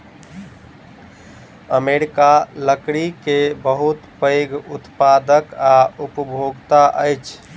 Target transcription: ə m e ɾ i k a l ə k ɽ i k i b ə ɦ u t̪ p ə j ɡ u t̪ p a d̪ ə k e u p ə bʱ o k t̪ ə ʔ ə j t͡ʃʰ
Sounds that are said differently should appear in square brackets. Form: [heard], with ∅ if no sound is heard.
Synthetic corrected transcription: ə m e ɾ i k a l ə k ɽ i k [e] b ə ɦ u t̪ p ə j ɡ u t̪ p a d̪ ə k [a] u p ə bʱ o [ɡ] t̪ [a] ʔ ə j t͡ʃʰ